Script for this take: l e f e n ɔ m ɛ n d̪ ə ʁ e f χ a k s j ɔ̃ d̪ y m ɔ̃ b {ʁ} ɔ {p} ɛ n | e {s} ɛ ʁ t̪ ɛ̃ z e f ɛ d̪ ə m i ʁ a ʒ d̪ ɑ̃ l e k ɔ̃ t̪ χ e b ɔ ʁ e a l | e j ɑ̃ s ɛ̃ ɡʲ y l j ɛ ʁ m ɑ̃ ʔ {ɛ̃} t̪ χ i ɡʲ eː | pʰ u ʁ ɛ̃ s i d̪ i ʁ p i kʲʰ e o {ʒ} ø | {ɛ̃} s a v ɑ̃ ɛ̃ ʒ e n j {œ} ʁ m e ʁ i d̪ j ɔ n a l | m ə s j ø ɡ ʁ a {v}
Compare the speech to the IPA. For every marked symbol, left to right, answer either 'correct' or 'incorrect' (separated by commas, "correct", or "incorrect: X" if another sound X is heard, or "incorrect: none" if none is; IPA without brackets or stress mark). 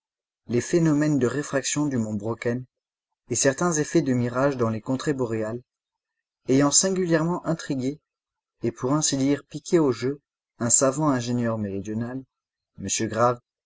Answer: correct, incorrect: k, correct, correct, correct, correct, correct, correct